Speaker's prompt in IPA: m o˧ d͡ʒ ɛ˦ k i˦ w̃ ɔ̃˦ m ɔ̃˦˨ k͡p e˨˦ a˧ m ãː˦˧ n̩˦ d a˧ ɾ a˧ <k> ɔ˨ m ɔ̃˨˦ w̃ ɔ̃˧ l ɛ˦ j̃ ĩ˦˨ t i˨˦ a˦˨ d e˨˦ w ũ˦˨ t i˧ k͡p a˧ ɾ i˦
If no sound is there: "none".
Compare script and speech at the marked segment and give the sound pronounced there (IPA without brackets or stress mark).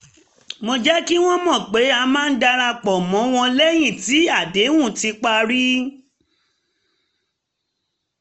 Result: k͡p